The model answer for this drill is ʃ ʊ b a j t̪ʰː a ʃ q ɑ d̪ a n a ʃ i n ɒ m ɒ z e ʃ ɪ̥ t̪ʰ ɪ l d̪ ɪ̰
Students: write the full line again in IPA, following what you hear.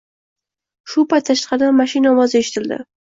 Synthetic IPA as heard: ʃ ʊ p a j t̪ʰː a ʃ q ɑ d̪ a m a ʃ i n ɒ m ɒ z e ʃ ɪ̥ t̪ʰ ɪ l d̪ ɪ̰